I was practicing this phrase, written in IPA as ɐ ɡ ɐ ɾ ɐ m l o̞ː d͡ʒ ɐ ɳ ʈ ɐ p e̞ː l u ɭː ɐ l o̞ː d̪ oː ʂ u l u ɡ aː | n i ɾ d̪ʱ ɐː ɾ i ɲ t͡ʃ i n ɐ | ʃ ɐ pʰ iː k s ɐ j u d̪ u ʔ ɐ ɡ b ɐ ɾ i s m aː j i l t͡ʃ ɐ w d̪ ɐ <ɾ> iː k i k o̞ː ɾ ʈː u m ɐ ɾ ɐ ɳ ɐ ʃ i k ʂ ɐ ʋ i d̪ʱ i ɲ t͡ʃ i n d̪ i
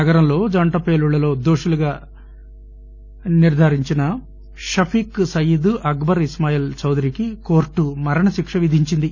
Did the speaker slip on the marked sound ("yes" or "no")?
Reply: no